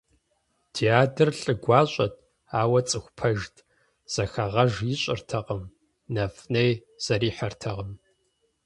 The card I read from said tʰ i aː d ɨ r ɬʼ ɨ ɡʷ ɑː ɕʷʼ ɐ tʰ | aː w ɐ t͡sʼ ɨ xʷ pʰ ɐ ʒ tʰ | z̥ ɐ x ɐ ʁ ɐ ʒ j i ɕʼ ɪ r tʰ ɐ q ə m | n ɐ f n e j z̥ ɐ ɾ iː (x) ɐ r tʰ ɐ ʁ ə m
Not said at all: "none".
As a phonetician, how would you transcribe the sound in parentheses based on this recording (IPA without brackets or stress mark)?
ħ